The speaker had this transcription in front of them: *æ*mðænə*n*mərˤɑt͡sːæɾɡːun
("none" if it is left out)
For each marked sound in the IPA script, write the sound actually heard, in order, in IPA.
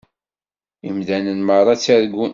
i, n

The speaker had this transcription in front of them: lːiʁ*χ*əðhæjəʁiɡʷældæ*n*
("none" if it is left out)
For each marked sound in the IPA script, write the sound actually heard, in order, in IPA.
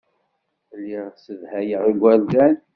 s, n

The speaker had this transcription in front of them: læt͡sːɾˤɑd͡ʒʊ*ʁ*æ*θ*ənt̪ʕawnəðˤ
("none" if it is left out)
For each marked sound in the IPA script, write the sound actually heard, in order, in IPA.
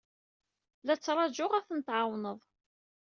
ʁ, θ

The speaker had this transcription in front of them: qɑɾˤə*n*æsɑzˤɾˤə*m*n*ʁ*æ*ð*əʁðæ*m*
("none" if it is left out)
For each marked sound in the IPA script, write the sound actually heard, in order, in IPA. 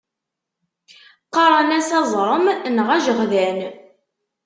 n, m, ʁ, ʒ, n

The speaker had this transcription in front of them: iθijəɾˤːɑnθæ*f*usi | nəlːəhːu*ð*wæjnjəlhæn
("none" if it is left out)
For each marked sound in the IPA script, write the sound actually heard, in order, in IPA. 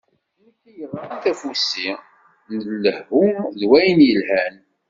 f, ð

